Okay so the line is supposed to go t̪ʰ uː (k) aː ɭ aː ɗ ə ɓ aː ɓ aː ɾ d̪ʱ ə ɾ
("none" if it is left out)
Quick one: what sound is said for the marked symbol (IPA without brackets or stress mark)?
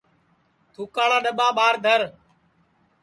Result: k